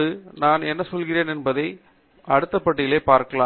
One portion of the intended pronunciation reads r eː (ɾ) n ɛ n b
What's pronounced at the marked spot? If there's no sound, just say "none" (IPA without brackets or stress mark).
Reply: none